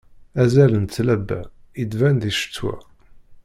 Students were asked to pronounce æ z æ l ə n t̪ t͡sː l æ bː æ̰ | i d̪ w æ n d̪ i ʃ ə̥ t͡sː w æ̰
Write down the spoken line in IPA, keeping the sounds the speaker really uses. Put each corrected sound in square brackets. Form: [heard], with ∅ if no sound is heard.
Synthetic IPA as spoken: æ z æ l ə n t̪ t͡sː l æ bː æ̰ | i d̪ [v] æ n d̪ i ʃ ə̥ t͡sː w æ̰